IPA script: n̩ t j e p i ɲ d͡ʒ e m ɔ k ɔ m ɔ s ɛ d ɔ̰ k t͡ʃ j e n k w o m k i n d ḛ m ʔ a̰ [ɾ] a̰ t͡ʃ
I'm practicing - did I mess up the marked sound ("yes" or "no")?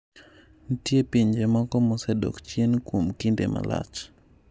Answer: yes